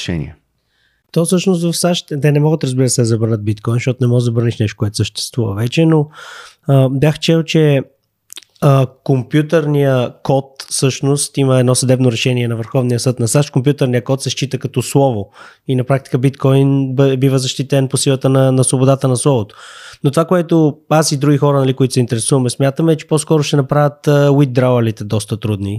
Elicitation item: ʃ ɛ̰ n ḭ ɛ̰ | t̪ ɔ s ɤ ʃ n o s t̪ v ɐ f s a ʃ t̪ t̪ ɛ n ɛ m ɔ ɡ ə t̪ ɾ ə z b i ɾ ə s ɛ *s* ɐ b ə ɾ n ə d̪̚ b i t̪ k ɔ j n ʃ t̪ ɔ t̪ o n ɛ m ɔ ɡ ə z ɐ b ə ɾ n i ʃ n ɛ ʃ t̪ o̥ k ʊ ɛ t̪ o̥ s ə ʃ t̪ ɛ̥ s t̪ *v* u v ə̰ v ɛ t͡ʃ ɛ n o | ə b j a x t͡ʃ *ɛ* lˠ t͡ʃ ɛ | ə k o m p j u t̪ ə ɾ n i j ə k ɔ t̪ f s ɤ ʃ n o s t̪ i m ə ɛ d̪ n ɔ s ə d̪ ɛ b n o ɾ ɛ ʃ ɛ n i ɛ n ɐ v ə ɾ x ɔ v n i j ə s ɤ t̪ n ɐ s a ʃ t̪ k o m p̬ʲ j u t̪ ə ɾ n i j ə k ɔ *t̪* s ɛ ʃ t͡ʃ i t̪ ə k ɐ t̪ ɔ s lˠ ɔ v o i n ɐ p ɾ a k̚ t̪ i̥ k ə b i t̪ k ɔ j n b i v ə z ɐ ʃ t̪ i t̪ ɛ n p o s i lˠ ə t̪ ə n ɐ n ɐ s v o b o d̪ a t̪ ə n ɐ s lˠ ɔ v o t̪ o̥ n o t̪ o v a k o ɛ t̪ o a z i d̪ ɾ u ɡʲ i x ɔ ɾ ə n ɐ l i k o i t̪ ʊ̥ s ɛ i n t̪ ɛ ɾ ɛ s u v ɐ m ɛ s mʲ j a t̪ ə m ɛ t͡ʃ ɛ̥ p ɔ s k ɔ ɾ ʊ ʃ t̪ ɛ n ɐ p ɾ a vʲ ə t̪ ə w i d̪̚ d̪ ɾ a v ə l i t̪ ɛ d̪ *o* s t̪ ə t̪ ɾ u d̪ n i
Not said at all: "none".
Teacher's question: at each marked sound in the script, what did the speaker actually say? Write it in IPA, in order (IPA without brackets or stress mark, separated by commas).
z, v, ɛ, t̪, ɔ